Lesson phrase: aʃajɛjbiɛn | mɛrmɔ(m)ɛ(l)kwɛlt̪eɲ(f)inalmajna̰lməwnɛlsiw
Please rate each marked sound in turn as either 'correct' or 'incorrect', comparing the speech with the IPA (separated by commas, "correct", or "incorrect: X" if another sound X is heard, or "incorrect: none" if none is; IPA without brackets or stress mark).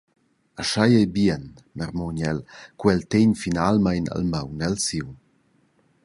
incorrect: ɲ, correct, correct